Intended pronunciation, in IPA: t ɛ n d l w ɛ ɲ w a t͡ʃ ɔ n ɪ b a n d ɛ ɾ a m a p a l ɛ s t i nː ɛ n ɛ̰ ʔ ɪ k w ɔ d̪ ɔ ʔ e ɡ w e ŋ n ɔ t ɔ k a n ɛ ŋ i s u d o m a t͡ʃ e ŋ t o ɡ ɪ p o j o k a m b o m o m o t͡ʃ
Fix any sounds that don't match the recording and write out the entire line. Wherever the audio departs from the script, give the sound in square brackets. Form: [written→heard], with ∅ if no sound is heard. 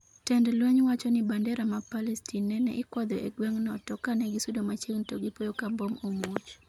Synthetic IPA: t ɛ n d l w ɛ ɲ w a t͡ʃ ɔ n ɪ b a n d ɛ ɾ a m a p a l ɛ s t i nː ɛ n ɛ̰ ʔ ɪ k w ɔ d̪ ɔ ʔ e ɡ w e ŋ n ɔ t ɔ k a n ɛ [ŋ→ɡ] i s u d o m a t͡ʃ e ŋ t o ɡ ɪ p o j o k a m b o m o m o t͡ʃ